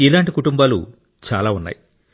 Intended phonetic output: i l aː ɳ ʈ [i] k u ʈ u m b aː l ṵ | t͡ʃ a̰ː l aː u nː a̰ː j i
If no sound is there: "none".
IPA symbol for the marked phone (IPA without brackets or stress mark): i